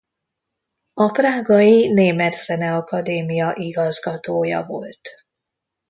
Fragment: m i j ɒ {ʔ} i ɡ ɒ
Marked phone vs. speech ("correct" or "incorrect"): correct